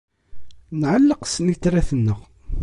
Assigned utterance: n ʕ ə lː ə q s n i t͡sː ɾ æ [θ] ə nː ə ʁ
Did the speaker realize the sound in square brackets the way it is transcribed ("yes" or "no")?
yes